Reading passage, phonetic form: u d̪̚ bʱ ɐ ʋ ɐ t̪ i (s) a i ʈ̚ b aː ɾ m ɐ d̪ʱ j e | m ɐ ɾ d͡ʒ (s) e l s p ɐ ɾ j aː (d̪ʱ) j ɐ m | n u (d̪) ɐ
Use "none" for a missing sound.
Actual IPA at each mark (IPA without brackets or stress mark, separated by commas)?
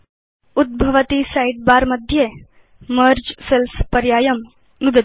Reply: s, s, none, d̪